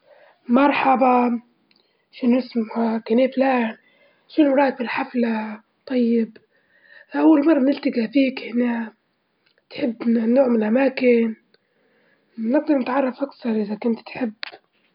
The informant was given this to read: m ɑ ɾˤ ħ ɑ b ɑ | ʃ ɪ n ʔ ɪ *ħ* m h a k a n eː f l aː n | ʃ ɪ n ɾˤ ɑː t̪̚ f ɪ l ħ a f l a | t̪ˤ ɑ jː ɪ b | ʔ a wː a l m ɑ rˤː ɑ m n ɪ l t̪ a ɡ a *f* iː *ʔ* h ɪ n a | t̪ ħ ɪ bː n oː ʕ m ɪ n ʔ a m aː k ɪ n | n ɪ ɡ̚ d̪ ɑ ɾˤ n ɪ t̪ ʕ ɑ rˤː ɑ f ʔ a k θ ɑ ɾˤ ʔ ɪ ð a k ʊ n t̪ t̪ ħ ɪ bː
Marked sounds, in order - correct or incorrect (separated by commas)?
incorrect, correct, incorrect